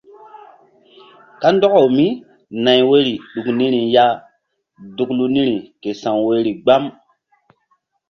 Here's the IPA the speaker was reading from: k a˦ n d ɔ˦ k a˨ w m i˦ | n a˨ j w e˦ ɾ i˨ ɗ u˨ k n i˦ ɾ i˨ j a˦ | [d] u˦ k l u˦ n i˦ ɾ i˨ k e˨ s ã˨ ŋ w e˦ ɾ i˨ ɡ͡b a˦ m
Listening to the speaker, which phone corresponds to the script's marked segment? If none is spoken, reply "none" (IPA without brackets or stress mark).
d